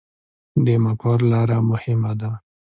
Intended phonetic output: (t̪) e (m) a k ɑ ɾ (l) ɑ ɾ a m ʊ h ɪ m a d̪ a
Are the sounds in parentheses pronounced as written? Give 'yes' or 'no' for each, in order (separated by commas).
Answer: no, yes, yes